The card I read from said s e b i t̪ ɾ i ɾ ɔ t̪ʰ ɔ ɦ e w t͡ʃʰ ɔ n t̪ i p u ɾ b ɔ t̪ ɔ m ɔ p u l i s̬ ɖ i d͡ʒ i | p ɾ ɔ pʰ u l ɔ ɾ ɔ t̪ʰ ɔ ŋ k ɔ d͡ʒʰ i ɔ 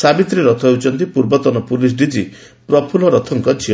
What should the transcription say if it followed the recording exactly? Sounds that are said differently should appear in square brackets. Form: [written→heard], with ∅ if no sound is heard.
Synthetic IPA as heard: s [e→a] b i t̪ ɾ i ɾ ɔ t̪ʰ ɔ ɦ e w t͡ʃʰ ɔ n t̪ i p u ɾ b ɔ t̪ ɔ [m→n] ɔ p u l i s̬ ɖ i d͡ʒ i | p ɾ ɔ pʰ u l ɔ ɾ ɔ t̪ʰ ɔ ŋ k ɔ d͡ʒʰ i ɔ